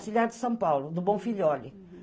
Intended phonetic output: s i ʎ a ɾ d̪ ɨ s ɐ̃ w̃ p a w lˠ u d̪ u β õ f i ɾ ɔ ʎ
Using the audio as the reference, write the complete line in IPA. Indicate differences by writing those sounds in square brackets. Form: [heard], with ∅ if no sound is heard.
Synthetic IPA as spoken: s i ʎ a ɾ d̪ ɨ s ɐ̃ w̃ p a w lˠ u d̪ u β õ f i [ʎ] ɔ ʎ

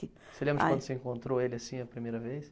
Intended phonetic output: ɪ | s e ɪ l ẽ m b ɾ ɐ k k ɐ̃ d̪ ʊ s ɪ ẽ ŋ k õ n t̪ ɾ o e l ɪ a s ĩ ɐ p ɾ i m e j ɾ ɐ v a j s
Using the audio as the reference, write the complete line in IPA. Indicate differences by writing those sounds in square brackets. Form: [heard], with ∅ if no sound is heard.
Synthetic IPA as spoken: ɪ | s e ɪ l ẽ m b ɾ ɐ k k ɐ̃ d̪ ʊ s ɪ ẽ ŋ k õ n t̪ ɾ o e l ɪ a s ĩ ɐ p ɾ i m e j ɾ ɐ v [e] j s

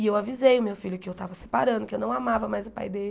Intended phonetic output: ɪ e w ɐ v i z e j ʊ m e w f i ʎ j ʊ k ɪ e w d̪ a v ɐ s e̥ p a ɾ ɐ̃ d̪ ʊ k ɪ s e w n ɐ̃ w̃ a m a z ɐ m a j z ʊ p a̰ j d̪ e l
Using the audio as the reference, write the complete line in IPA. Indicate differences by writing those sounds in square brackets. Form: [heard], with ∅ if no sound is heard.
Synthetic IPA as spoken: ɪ e w [a] v i z e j ʊ m e w f i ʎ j ʊ k ɪ e w [t̪] a v ɐ s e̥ p a ɾ ɐ̃ d̪ ʊ k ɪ [∅] e w n ɐ̃ w̃ a m a [v] ɐ m a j z ʊ p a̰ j d̪ e l

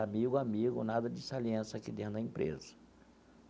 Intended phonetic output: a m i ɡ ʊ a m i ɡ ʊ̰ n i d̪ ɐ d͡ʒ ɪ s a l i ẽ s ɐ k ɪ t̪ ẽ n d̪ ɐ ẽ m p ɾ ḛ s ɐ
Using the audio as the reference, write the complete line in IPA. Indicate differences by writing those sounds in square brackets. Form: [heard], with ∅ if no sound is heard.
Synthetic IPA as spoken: a m i ɡ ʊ a m i ɡ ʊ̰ n [a] d̪ ɐ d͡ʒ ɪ s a l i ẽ s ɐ k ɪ [d̪] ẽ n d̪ ɐ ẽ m p ɾ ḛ [z] ɐ

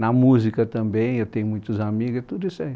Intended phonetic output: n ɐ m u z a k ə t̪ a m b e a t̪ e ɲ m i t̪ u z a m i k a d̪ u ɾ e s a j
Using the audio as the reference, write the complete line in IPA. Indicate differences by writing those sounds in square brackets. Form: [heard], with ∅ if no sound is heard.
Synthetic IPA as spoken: n [a] m u z [i] k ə t̪ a m b e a t̪ e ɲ m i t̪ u z a m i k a [t̪] u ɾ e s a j

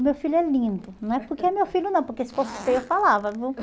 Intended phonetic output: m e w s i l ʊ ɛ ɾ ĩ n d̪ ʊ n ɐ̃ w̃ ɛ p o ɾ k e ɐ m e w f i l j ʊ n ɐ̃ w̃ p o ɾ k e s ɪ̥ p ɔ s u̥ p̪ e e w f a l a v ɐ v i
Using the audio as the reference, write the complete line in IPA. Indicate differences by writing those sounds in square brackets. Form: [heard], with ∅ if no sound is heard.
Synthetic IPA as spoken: m e w [f] i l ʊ ɛ [l] ĩ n d̪ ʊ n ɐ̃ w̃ ɛ p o ɾ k e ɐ m e w f i l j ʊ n ɐ̃ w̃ p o ɾ k e s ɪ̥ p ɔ s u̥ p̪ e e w f a l a v ɐ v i

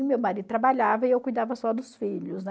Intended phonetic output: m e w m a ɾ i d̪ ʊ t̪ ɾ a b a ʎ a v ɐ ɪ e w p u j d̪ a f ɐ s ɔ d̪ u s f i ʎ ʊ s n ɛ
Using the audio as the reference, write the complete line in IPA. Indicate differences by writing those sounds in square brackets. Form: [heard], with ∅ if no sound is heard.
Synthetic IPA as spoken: m e w m a ɾ i d̪ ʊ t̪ ɾ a b a ʎ a v ɐ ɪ e w [k] u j d̪ a [v] ɐ s ɔ d̪ [ʊ] s f i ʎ ʊ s n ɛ

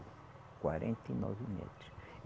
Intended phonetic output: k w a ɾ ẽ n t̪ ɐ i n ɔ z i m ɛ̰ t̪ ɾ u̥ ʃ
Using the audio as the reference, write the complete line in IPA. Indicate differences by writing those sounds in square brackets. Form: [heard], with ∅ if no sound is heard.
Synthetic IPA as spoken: k w a ɾ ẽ n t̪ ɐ i n ɔ [v] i m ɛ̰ t̪ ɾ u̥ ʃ

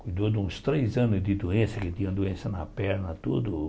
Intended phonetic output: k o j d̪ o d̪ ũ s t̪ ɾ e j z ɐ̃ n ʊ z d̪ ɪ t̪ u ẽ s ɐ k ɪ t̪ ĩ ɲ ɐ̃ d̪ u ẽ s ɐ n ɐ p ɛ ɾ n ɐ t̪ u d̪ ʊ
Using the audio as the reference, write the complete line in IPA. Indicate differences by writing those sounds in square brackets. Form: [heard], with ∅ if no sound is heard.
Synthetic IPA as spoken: k [u] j d̪ o d̪ ũ s t̪ ɾ e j z ɐ̃ n ʊ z d̪ ɪ [d̪] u ẽ s ɐ k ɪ t̪ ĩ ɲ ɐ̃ d̪ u ẽ s ɐ n ɐ p ɛ ɾ n ɐ t̪ u d̪ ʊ

